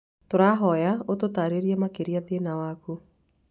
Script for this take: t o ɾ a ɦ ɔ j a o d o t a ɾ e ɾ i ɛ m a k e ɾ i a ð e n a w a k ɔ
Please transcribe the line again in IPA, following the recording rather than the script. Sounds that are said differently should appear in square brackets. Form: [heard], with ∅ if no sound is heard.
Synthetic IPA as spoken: t o ɾ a ɦ ɔ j a o [t] o t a ɾ e ɾ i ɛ m a k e ɾ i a ð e n a w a k [u]